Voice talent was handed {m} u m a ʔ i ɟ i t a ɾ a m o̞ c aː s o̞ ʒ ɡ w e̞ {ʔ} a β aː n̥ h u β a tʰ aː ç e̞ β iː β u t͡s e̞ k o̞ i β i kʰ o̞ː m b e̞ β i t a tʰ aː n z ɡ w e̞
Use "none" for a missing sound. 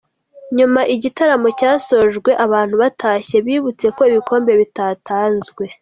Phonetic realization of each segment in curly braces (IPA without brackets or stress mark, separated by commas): ɲ, ʔ